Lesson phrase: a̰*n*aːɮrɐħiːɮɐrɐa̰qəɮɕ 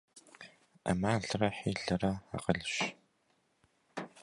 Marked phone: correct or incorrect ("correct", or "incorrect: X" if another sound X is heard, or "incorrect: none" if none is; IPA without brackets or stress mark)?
incorrect: m